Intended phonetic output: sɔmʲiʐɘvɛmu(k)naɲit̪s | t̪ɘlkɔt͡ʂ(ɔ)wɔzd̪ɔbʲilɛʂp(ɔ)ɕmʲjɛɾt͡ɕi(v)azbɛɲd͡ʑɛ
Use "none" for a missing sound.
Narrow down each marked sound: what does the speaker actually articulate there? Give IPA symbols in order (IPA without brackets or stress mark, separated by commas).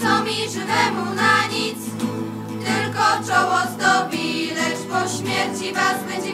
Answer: none, ɔ, ɔ, v